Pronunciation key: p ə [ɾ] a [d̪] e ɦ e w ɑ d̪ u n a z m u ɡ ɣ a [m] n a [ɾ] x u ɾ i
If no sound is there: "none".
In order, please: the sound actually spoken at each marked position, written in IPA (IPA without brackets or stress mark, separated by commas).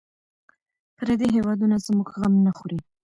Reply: ɾ, d̪, m, none